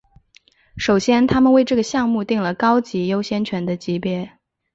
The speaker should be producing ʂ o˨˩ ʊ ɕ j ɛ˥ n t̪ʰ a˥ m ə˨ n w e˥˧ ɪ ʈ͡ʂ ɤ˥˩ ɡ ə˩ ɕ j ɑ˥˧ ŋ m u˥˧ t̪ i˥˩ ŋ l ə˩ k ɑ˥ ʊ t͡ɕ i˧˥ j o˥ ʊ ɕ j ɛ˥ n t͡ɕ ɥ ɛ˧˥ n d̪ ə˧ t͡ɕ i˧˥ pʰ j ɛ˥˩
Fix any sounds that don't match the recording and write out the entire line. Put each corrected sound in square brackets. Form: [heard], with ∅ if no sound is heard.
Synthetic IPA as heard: ʂ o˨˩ ʊ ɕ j ɛ˥ n t̪ʰ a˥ m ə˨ n w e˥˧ ɪ ʈ͡ʂ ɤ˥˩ ɡ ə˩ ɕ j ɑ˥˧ ŋ m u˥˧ t̪ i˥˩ ŋ l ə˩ k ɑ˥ ʊ t͡ɕ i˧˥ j o˥ ʊ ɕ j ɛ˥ n [t͡ɕʰ] ɥ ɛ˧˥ n d̪ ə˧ t͡ɕ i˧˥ [p] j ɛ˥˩